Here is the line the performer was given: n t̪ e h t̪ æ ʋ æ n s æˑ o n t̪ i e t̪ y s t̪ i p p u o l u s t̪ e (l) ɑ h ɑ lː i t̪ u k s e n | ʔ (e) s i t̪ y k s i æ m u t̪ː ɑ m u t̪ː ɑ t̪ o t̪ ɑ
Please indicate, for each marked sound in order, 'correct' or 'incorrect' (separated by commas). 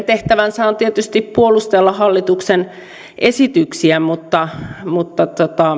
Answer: incorrect, correct